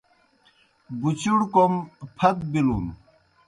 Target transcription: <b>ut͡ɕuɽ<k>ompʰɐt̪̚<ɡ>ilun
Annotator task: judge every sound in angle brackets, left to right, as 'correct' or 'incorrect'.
correct, correct, incorrect: b

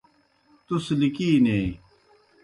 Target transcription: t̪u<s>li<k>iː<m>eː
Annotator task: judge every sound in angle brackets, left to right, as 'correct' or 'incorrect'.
correct, correct, incorrect: n

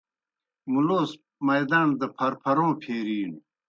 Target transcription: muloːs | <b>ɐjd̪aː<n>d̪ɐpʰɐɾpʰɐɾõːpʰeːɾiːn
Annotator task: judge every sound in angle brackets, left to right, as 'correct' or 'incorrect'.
incorrect: m, correct

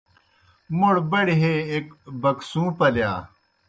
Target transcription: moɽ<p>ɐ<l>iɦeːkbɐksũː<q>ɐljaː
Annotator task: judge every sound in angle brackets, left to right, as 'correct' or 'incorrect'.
incorrect: b, incorrect: ɽ, incorrect: p

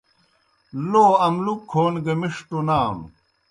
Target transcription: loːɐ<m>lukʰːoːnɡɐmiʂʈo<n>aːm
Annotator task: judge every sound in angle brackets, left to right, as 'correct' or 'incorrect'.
correct, correct

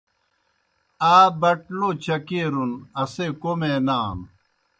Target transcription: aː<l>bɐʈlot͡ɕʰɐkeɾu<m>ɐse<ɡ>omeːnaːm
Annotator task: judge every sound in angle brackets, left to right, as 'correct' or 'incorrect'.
incorrect: none, incorrect: n, incorrect: k

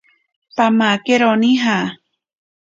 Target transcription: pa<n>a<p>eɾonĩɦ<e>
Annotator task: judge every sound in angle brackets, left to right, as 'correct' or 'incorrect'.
incorrect: m, incorrect: k, incorrect: a

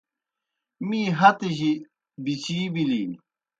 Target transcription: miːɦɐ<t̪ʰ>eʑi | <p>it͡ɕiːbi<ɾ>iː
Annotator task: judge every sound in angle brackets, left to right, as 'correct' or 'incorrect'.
incorrect: t̪, incorrect: b, incorrect: l

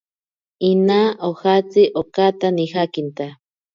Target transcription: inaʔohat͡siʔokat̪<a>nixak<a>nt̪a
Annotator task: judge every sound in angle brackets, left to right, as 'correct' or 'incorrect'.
correct, incorrect: i

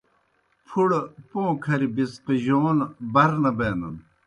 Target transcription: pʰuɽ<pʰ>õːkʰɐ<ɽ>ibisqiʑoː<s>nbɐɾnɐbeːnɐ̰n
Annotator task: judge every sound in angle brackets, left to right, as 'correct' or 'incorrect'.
incorrect: p, incorrect: ɾ, incorrect: none

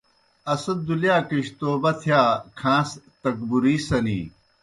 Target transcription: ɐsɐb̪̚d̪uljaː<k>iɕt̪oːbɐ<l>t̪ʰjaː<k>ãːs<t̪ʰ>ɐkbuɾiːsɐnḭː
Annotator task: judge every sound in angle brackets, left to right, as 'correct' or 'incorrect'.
correct, incorrect: none, incorrect: kʰ, incorrect: t̪

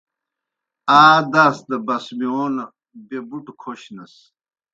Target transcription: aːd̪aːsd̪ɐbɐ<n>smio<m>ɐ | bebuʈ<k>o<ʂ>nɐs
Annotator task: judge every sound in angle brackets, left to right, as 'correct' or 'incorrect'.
incorrect: none, incorrect: n, incorrect: kʰ, incorrect: ɕ

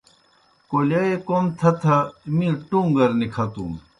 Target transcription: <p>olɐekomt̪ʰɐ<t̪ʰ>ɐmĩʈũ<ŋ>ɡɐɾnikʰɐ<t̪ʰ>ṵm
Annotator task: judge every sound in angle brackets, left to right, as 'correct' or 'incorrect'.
incorrect: k, correct, correct, incorrect: t̪

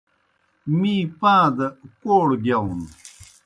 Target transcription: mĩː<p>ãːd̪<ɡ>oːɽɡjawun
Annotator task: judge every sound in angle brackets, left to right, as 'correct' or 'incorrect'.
correct, incorrect: k

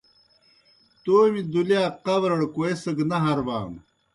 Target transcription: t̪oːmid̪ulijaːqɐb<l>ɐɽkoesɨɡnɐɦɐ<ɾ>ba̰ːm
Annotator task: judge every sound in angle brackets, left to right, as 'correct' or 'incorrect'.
incorrect: ɾ, correct

